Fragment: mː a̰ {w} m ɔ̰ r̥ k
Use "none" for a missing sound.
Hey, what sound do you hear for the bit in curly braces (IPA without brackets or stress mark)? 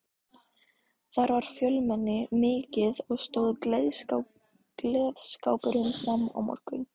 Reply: w